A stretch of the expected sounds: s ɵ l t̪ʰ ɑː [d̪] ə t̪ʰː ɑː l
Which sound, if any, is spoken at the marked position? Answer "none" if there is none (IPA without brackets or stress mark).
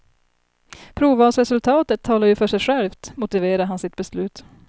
t̪